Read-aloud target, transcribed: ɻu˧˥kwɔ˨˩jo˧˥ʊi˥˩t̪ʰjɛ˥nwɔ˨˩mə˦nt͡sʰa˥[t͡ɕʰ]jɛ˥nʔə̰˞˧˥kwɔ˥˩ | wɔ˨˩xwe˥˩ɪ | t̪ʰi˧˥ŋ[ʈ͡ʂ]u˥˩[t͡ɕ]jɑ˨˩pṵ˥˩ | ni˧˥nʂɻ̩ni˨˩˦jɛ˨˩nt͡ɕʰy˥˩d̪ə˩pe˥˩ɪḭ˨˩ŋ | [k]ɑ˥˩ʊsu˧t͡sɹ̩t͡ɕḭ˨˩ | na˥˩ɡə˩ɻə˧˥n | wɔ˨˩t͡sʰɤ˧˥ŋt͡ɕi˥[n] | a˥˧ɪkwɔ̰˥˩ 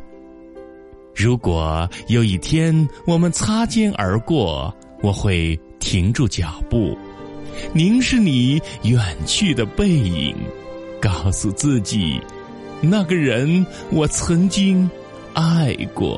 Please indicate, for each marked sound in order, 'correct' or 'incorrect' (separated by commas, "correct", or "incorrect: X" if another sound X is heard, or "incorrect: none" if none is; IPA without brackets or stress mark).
incorrect: t͡ɕ, correct, correct, correct, incorrect: ŋ